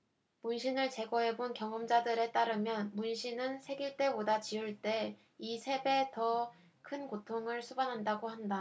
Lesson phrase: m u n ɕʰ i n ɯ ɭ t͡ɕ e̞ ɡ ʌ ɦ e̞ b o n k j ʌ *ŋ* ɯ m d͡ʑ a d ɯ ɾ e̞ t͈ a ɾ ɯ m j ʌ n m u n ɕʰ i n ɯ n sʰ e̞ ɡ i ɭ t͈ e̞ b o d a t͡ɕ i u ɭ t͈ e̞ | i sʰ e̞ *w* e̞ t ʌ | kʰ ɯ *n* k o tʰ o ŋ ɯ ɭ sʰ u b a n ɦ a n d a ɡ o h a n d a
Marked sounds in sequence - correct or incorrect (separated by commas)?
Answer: correct, incorrect, correct